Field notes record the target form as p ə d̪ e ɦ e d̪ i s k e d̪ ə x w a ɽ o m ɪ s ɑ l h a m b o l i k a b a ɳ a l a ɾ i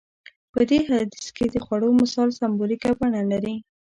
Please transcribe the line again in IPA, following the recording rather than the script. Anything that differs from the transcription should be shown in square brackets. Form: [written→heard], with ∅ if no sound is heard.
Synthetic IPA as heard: p ə d̪ e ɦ [e→a] d̪ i s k e d̪ ə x w a ɽ o m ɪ s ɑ l [h→s] a m b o l i k a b a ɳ a l a ɾ i